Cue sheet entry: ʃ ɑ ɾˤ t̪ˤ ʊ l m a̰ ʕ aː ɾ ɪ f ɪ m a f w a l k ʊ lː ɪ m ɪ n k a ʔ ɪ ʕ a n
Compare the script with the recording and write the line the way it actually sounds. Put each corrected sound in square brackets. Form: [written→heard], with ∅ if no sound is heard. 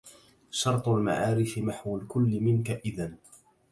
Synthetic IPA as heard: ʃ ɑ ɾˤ t̪ˤ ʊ l m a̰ ʕ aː ɾ ɪ f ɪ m a [f→ħ] w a l k ʊ lː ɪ m ɪ n k a ʔ ɪ [ʕ→ð] a n